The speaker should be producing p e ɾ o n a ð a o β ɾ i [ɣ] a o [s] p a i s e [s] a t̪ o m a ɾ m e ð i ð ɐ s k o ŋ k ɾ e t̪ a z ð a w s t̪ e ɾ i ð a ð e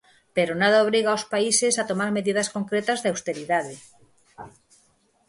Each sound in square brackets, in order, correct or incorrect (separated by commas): correct, correct, correct